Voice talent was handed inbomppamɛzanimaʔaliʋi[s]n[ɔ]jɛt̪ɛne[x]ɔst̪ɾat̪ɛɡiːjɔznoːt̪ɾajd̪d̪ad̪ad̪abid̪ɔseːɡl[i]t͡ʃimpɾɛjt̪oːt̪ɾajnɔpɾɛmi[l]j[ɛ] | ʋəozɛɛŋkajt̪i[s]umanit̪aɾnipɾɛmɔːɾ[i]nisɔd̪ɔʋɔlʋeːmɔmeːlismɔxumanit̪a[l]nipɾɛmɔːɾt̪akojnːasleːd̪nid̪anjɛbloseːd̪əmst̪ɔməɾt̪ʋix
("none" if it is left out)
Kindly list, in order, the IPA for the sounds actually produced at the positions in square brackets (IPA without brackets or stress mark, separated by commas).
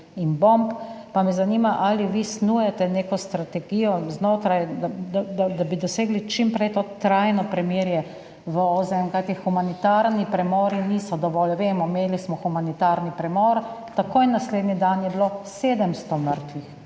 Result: s, u, k, i, ɾ, ɛ, x, i, ɾ